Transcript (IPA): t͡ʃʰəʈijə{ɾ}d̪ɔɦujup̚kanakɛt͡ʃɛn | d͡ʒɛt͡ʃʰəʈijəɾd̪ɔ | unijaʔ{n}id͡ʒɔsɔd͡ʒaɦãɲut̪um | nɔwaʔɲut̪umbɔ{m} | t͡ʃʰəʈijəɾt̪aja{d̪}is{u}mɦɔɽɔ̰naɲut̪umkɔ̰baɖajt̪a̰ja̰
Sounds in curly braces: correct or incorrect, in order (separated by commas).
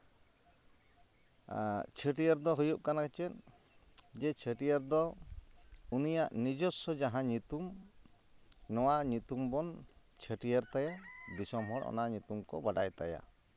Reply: correct, correct, incorrect, correct, incorrect